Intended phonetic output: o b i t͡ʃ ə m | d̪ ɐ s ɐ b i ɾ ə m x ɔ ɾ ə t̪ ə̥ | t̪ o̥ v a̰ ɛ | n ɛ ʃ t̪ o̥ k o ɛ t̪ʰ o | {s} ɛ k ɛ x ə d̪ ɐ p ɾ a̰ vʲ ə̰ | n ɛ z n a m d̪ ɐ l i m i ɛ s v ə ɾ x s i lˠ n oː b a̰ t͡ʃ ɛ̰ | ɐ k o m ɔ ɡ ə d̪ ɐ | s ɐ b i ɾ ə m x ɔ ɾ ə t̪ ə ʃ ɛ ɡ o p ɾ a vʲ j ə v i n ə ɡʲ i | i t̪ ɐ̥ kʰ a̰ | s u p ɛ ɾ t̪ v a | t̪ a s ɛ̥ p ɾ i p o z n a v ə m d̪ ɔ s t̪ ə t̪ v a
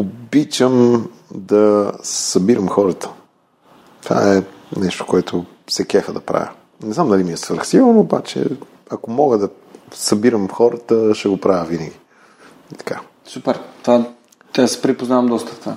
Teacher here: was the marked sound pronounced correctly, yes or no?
yes